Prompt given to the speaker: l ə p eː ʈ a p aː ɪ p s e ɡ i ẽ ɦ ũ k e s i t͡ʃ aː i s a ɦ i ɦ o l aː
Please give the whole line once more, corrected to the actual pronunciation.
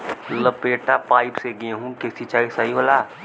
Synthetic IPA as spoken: l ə p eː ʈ a p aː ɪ p s e ɡ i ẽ ɦ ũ k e s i t͡ʃ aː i s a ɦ i ɦ o l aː